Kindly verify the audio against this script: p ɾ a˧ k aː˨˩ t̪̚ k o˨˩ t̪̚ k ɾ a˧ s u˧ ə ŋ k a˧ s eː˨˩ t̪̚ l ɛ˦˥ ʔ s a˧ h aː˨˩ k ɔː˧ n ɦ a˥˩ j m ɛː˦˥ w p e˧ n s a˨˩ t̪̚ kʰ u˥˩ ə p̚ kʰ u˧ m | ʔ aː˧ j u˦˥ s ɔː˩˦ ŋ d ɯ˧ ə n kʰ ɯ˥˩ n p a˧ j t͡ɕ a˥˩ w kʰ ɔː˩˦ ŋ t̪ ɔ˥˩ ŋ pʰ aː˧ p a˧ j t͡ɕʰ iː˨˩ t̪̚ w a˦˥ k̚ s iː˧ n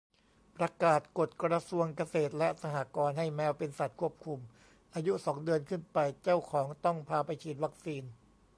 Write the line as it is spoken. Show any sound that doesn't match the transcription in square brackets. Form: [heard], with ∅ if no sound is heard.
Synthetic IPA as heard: p ɾ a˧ k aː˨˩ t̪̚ k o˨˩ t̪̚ k ɾ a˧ s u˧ ə ŋ k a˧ s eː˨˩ t̪̚ l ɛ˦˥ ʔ s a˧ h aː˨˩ k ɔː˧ n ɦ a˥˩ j m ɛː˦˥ w p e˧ n s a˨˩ t̪̚ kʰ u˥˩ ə p̚ kʰ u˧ m | ʔ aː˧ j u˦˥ s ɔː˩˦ ŋ d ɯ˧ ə n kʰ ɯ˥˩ n p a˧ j t͡ɕ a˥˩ w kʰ ɔː˩˦ ŋ t̪ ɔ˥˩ ŋ pʰ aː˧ p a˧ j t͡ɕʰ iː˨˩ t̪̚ w a˦˥ k̚ s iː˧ n